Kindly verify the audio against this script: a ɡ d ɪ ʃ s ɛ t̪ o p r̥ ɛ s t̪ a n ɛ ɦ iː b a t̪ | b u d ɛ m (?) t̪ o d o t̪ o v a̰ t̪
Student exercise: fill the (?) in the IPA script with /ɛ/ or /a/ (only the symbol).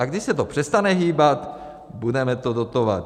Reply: ɛ